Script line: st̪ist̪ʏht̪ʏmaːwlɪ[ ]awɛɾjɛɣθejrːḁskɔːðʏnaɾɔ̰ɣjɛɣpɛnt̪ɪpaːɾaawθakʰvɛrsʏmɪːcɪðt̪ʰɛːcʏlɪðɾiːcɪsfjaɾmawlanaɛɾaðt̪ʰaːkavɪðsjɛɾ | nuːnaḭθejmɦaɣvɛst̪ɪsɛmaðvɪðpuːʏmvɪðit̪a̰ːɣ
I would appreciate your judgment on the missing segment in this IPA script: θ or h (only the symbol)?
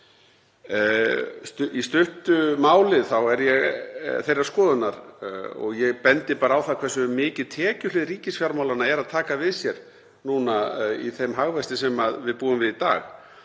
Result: θ